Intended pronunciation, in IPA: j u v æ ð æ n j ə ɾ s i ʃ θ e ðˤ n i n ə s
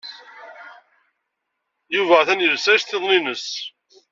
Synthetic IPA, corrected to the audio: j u v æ θ æ n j ə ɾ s æ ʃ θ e ðˤ n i n ə s